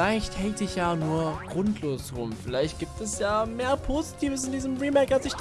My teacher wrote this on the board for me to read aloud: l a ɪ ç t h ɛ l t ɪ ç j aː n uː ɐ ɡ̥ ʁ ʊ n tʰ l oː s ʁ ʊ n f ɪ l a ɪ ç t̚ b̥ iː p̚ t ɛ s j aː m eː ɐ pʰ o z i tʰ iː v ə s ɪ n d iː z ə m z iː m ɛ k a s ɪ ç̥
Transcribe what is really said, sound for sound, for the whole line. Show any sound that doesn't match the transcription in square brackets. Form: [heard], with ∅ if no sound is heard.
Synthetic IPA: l a ɪ ç t h ɛ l t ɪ ç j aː n uː ɐ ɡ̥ ʁ ʊ n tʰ l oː s ʁ ʊ [m] f ɪ l a ɪ ç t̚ [ɡ̥] iː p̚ t ɛ s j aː m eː ɐ pʰ o z i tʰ iː v ə s ɪ n d iː z ə m [ʁ] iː m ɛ k a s ɪ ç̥

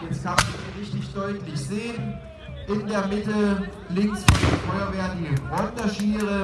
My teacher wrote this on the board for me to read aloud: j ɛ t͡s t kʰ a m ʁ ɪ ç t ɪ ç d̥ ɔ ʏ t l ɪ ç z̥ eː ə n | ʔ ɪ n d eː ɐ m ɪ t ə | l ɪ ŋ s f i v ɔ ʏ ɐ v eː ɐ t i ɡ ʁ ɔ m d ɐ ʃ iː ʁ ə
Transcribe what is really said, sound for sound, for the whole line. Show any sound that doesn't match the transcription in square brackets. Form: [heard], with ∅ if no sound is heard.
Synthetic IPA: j ɛ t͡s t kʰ a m ʁ ɪ ç t ɪ ç d̥ ɔ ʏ t l ɪ ç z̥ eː ə n | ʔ ɪ n d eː ɐ m ɪ t ə | l ɪ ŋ s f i [f] ɔ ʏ ɐ v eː ɐ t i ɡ ʁ ɔ [n] d ɐ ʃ iː ʁ ə

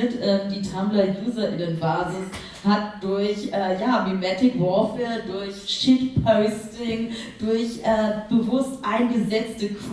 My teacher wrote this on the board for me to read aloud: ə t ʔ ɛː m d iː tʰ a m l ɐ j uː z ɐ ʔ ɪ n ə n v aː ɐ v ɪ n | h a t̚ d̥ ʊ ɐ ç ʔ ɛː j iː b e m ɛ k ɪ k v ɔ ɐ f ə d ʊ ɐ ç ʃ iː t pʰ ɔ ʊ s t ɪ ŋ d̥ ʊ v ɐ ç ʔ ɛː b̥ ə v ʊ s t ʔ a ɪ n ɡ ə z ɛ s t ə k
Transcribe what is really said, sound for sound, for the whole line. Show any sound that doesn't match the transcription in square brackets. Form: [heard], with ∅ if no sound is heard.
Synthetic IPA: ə t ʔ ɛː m d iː tʰ a m l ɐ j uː z ɐ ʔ ɪ n ə n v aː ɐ [z] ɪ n | h a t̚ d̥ ʊ ɐ ç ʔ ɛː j [aː] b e m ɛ [t] ɪ k v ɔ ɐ f ə d ʊ ɐ ç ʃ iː t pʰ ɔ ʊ s t ɪ ŋ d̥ ʊ [∅] ɐ ç ʔ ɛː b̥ ə v ʊ s t ʔ a ɪ n ɡ ə z ɛ [t͡s] t ə k

